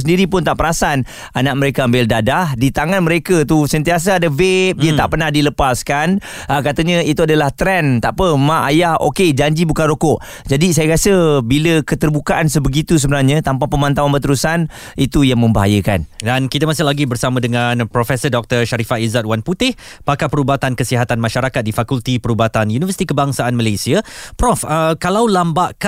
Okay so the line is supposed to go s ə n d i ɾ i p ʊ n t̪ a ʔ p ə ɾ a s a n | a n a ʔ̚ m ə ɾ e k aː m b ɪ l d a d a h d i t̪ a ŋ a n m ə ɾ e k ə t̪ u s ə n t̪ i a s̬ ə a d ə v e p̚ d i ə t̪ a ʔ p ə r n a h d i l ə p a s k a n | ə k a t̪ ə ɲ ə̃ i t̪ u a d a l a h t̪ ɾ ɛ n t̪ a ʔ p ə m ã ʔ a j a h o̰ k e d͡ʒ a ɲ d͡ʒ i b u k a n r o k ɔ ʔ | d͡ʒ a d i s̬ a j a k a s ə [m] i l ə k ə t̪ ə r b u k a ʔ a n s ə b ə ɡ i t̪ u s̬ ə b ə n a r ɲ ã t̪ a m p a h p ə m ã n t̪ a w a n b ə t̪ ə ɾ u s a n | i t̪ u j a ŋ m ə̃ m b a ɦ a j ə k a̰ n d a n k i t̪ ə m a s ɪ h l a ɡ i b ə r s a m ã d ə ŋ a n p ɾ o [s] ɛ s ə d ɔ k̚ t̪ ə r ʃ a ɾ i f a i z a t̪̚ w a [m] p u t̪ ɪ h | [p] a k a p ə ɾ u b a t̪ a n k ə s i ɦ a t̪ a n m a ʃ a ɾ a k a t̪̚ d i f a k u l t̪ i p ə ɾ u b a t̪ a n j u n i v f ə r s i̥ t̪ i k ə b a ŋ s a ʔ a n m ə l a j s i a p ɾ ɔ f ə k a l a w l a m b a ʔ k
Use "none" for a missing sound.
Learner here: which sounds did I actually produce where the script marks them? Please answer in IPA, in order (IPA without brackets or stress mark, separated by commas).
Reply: b, f, n, p